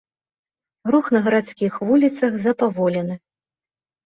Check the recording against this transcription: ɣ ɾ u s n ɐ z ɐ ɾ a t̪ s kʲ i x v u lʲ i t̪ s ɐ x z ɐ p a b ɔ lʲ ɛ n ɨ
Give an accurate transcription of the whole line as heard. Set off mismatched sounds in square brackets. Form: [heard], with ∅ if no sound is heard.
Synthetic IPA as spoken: ɣ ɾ u [x] n ɐ [ɣ] ɐ ɾ a t̪ s kʲ i x v u lʲ i t̪ s ɐ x z ɐ p a [v] ɔ lʲ ɛ n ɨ